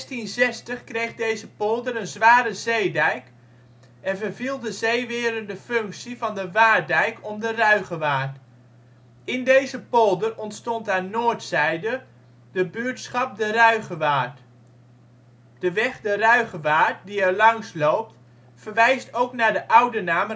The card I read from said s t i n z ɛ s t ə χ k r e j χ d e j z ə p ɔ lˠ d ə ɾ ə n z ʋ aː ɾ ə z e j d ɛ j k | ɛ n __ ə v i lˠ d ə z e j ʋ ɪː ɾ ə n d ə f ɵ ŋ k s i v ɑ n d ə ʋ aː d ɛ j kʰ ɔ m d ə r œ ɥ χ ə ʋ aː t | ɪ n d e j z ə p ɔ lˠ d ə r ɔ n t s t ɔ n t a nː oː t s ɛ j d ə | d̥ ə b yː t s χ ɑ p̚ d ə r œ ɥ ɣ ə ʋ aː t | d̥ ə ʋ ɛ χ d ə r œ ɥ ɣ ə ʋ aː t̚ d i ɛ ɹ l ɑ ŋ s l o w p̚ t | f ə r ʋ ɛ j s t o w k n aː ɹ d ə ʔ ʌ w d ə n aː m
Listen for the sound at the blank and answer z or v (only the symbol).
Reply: v